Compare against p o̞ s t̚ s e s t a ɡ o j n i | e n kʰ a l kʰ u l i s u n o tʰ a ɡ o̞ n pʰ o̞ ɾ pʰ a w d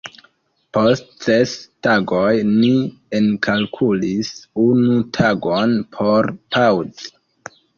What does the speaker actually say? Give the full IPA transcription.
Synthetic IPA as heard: p o̞ s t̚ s e s t a ɡ o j n i | e n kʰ a l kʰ u l i s u n u tʰ a ɡ o̞ n pʰ o̞ ɾ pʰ a w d

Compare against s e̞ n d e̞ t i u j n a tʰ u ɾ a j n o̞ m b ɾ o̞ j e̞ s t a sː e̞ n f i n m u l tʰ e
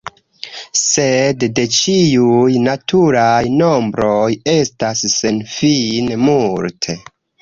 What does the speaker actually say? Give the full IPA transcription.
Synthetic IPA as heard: s e̞ d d e̞ t͡ʃ i u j n a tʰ u ɾ a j n o̞ m b ɾ o̞ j e̞ s t a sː e̞ n f i n m u l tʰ e

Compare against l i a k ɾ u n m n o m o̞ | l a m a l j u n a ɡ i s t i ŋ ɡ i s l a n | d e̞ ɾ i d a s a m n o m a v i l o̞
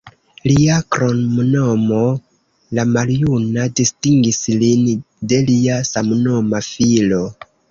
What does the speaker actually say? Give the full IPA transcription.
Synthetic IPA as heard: l i a k ɾ o n m n o m o̞ | l a m a l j u n a d i s t i ŋ ɡ i s l i n | d e̞ l i a s a m n o m a f i l o̞

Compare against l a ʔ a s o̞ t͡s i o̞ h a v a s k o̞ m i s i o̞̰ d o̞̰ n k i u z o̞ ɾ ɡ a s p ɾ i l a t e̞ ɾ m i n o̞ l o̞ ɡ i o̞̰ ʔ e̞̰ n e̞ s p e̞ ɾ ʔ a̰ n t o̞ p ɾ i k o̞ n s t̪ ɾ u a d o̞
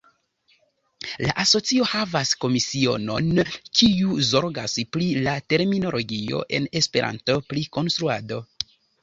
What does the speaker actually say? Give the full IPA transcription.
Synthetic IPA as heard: l a ʔ a s o̞ t͡s i o̞ h a v a s k o̞ m i s i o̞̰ n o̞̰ n k i u z o̞ ɾ ɡ a s p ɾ i l a t e̞ ɾ m i n o̞ l o̞ ɡ i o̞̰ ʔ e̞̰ n e̞ s p e̞ ɾ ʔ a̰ n t o̞ p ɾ i k o̞ n s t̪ ɾ u a d o̞

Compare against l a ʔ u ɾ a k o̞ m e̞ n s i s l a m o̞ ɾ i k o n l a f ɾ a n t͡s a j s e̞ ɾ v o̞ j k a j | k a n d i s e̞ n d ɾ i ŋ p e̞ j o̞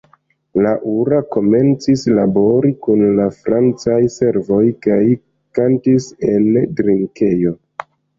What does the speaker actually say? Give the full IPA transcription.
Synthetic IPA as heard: l a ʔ u ɾ a k o̞ m e̞ n t͡s i s l a b o̞ ɾ i k u n l a f ɾ a n t͡s a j s e̞ ɾ v o̞ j k a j | k a n t i s e̞ n d ɾ i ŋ k e̞ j o̞

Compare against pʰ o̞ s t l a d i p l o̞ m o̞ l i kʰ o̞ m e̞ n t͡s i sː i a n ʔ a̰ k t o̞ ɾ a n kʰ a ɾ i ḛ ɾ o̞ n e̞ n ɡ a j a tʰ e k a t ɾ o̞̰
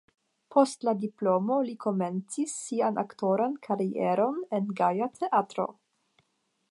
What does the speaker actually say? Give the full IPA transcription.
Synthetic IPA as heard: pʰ o̞ s t l a d i p l o̞ m o̞ l i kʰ o̞ m e̞ n t͡s i sː i a n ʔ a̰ k t o̞ ɾ a n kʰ a ɾ i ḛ ɾ o̞ n e̞ n ɡ a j a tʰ e ʔ a t ɾ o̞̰

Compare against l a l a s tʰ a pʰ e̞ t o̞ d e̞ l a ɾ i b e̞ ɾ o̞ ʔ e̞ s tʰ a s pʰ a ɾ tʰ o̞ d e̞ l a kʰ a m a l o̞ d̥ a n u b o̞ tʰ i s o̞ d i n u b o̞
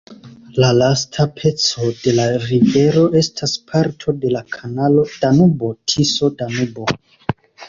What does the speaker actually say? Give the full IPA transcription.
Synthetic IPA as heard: l a l a s tʰ a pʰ e̞ t͡s o̞ d e̞ l a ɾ i v e̞ ɾ o̞ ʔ e̞ s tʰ a s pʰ a ɾ tʰ o̞ d e̞ l a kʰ a n a l o̞ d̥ a n u b o̞ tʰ i s o̞ d a n u b o̞

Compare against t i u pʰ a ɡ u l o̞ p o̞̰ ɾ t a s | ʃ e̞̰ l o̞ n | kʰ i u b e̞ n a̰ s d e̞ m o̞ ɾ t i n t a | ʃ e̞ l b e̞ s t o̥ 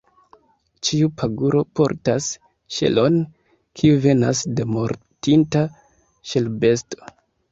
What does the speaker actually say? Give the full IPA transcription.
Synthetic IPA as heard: t͡ʃ i u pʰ a ɡ u ɾ o̞ p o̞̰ ɾ t a s | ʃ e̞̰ l o̞ n | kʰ i u v e̞ n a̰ s d e̞ m o̞ ɾ t i n t a | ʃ e̞ l b e̞ s t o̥

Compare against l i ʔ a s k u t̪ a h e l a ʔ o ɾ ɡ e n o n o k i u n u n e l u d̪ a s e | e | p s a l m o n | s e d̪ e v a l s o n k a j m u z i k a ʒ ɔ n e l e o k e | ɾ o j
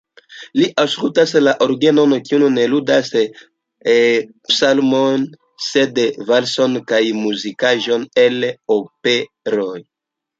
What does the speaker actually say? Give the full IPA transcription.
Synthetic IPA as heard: l i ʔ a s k u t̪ a s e l a ʔ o ɾ ɡ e n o n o k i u n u n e l u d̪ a s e | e | p s a l m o n | s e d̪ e v a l s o n k a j m u z i k a ʒ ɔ n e l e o p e | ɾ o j

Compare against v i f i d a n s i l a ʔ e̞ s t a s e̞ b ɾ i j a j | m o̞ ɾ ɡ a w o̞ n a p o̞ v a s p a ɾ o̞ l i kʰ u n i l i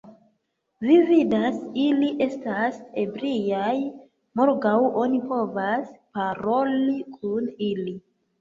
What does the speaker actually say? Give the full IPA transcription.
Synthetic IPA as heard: v i v i d a s i l i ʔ e̞ s t a s e̞ b ɾ i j a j | m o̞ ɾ ɡ a w o̞ n i p o̞ v a s p a ɾ o̞ l i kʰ u n i l i

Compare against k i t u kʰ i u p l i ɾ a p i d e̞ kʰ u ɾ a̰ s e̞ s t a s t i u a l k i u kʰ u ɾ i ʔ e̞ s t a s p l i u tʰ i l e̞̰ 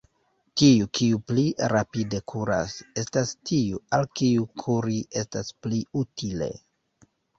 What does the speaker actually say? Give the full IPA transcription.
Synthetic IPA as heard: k i u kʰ i u p l i ɾ a p i d e̞ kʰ u ɾ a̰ s e̞ s t a s t i u a l k i u kʰ u ɾ i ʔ e̞ s t a s p l i u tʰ i l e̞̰

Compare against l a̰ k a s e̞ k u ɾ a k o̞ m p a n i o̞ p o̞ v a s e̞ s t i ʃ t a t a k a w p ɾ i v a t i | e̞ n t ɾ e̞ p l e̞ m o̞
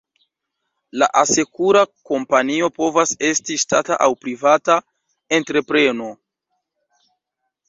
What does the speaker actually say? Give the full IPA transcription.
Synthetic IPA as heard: l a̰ ʔ a s e̞ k u ɾ a k o̞ m p a n i o̞ p o̞ v a s e̞ s t i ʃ t a t a ʔ a w p ɾ i v a t a | e̞ n t ɾ e̞ p ɾ e̞ n o̞

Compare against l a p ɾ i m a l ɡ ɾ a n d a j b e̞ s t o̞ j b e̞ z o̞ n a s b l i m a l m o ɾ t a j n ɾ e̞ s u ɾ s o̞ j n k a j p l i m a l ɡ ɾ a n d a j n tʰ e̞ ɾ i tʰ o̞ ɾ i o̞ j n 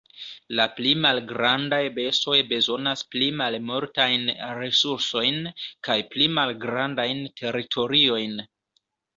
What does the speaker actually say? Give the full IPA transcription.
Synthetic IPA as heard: l a p l i m a l ɡ ɾ a n d a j b e̞ s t o̞ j b e̞ z o̞ n a s p l i m a l m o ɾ t a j n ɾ e̞ s u ɾ s o̞ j n k a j p l i m a l ɡ ɾ a n d a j n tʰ e̞ ɾ i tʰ o̞ ɾ i o̞ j n

